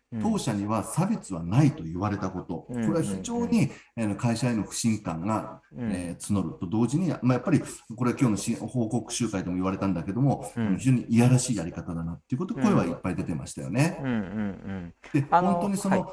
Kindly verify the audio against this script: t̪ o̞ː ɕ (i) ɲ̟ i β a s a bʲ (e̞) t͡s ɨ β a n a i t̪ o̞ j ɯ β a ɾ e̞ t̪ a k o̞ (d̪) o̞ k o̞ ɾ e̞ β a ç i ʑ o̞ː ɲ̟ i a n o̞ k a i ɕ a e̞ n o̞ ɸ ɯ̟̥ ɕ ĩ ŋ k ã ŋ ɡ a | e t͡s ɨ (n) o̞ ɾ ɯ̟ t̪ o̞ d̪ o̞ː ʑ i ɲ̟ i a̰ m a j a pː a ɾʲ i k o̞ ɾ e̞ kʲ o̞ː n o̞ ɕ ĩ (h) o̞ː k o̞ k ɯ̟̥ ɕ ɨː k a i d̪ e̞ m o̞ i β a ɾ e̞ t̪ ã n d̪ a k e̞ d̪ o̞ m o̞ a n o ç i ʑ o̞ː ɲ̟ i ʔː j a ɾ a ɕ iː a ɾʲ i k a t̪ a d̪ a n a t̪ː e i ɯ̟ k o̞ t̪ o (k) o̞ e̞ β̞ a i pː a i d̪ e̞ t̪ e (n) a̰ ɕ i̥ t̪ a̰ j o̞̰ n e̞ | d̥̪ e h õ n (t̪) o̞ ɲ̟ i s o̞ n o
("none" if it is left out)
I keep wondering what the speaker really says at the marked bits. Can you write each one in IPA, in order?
a, e̞, t̪, n, h, k, m, t̪

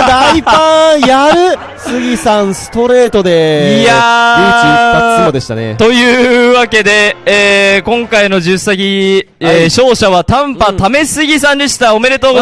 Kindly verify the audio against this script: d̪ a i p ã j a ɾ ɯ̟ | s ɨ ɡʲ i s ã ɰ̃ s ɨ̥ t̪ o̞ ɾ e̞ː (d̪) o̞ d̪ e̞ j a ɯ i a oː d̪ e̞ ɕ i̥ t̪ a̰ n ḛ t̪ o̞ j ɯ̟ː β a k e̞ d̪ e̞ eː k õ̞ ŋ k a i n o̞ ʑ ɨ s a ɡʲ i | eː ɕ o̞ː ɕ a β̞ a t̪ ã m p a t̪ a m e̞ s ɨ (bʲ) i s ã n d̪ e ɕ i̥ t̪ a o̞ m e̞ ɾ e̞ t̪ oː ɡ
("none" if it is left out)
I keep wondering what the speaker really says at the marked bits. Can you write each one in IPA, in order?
t̪, ɡʲ

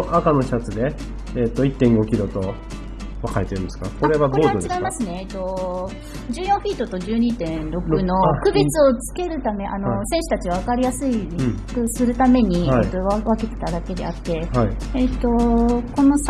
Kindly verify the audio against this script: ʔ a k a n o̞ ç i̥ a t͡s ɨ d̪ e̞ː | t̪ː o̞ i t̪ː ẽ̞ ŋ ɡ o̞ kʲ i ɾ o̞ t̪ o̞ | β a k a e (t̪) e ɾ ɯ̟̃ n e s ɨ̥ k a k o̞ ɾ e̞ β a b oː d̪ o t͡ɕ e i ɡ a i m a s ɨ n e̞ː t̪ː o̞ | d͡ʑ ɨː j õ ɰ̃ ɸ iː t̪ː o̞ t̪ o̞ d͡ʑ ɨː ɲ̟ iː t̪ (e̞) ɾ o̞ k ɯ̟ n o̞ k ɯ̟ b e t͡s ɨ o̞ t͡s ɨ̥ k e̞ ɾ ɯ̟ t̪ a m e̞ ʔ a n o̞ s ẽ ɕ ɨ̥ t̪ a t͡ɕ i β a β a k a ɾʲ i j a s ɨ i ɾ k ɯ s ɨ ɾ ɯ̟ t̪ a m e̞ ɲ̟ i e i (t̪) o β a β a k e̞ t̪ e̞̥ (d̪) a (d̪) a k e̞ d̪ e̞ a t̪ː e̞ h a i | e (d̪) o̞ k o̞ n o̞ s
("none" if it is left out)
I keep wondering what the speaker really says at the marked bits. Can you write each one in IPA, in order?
t̪, ẽ̞, t̪, t̪, d̪, t̪

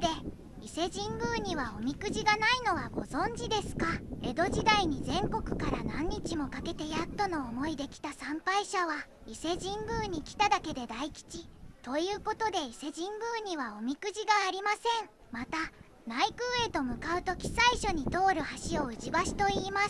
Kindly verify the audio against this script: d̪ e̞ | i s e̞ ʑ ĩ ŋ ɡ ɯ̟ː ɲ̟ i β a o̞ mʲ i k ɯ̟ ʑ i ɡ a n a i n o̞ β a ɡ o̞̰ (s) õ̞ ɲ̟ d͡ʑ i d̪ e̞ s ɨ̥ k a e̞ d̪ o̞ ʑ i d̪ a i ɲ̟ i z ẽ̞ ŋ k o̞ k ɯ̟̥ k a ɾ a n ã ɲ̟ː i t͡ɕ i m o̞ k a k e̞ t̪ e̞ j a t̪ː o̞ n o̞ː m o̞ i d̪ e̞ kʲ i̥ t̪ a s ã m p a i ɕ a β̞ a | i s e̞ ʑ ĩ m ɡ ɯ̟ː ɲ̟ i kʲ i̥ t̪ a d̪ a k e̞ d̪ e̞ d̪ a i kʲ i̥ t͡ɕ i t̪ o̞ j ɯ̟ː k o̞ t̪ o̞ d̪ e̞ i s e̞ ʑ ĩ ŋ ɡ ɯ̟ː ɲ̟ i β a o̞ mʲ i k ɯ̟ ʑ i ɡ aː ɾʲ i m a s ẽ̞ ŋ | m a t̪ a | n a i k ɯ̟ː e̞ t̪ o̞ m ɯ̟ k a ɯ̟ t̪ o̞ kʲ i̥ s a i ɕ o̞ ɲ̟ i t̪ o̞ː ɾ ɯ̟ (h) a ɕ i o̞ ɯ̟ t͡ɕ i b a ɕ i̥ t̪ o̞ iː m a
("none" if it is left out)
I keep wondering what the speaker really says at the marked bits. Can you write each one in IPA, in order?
z, h

